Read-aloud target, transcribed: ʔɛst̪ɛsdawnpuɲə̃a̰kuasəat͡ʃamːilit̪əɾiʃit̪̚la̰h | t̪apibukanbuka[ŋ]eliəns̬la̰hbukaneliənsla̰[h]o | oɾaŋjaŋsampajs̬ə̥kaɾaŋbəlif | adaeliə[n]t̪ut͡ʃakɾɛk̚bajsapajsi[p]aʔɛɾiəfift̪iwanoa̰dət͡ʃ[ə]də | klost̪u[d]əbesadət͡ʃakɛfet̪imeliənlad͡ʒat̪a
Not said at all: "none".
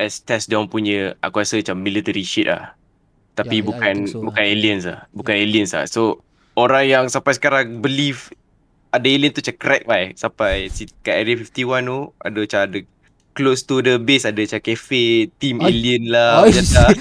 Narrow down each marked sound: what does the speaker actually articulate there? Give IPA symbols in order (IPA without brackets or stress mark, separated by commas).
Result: n, s, n, k, a, d